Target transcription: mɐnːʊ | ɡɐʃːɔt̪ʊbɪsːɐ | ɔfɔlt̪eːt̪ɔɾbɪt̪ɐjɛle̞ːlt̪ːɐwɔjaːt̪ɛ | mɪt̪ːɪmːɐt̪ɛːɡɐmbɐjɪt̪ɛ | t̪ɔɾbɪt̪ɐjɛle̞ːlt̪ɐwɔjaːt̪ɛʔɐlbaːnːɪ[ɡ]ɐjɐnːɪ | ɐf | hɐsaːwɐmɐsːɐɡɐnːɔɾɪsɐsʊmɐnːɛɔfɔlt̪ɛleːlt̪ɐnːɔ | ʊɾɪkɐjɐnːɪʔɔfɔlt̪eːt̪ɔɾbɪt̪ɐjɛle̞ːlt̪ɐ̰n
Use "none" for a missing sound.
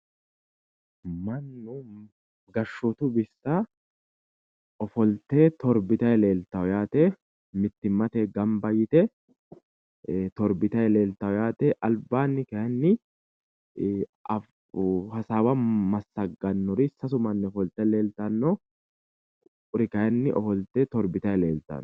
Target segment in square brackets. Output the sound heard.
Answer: k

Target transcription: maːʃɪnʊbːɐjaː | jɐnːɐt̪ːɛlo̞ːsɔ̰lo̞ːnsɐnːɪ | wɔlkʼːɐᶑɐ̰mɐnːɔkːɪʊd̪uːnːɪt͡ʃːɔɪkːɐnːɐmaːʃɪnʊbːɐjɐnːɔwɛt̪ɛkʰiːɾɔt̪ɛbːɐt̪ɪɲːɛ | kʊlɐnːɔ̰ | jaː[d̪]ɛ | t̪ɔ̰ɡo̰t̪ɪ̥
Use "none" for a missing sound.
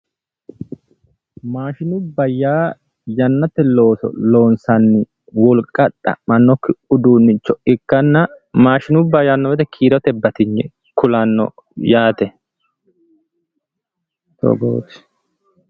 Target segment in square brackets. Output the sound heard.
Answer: t̪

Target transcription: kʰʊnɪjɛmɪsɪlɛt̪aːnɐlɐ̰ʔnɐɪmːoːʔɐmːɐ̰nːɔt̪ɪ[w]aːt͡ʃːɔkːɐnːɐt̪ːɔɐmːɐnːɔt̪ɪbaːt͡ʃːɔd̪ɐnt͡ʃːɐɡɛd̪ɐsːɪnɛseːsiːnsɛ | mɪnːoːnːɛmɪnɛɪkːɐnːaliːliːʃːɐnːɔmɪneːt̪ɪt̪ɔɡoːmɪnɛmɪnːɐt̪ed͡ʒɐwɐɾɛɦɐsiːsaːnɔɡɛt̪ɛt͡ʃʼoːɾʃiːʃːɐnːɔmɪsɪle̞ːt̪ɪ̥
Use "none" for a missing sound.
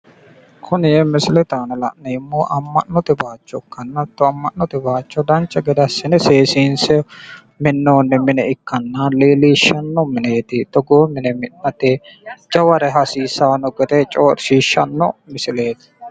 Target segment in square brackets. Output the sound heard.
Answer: b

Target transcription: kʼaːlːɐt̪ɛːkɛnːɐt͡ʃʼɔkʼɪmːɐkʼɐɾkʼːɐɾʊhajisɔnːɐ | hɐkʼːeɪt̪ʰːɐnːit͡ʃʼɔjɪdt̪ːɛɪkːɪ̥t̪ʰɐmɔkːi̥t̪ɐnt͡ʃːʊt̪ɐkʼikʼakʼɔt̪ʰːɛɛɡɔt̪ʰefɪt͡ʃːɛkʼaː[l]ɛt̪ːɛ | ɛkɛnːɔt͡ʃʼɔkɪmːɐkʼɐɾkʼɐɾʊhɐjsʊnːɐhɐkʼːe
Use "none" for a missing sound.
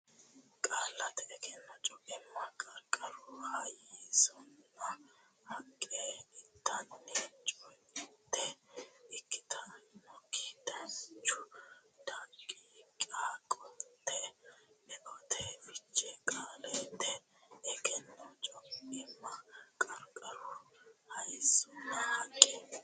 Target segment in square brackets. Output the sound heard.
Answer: l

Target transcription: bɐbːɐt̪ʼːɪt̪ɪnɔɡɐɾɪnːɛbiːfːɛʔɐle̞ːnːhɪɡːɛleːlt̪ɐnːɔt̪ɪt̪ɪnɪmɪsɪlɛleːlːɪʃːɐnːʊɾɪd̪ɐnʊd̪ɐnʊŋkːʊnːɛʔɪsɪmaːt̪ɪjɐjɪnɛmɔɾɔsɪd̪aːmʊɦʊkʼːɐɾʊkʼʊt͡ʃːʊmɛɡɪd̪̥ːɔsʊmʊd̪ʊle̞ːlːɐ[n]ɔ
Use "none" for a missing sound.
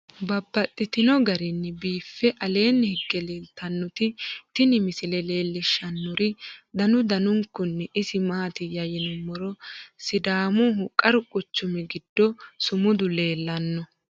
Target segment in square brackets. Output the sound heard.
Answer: nː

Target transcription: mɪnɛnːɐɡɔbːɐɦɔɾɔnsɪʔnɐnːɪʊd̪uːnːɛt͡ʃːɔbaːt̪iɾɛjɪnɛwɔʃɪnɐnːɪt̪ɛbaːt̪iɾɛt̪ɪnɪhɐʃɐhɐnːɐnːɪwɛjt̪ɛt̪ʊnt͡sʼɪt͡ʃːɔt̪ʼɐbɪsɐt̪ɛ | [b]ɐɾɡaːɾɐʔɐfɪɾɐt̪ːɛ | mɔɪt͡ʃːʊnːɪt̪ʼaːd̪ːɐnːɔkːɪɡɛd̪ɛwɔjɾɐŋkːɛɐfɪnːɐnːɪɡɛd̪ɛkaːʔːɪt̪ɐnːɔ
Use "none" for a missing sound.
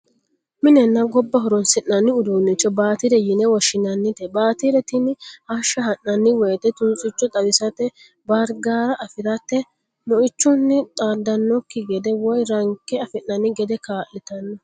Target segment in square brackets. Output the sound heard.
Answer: b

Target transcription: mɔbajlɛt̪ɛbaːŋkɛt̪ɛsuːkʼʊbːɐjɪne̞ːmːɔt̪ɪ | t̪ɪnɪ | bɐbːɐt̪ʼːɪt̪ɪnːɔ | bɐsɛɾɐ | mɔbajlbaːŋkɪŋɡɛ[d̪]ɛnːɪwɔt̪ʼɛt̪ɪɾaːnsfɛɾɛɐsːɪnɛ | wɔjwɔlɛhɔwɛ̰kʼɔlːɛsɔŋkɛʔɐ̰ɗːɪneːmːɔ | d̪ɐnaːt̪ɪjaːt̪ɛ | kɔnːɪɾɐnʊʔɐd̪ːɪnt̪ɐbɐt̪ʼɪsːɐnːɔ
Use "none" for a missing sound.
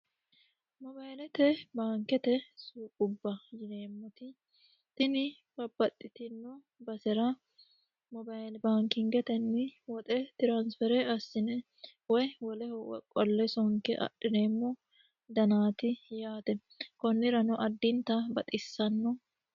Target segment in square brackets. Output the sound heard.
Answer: t̪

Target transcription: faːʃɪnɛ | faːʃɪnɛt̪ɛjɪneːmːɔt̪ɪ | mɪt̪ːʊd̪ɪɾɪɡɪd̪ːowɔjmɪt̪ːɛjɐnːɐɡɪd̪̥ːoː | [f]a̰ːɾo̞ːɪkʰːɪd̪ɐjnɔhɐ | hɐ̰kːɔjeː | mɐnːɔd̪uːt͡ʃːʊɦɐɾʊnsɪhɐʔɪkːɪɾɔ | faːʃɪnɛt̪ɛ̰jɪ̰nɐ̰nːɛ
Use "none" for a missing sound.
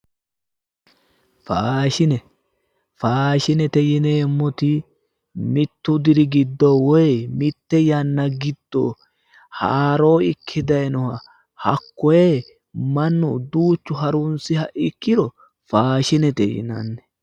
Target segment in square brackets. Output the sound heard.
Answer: h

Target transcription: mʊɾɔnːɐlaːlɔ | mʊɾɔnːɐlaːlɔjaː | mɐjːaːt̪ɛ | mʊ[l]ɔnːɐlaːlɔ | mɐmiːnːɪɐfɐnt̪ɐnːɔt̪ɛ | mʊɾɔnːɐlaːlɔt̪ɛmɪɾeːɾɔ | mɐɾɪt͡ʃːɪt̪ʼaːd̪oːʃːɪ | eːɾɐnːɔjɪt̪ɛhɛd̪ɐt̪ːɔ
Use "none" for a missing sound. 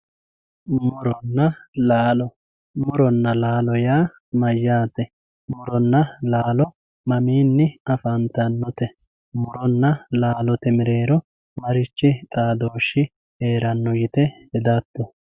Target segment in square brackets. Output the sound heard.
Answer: ɾ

